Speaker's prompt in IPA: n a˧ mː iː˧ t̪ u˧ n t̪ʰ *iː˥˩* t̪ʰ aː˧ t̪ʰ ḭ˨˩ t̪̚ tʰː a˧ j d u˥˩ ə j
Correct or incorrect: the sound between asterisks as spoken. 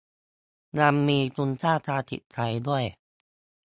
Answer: incorrect: aː˥˩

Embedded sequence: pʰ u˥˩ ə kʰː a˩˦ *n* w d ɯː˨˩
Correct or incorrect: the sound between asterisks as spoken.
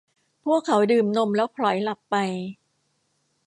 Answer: incorrect: none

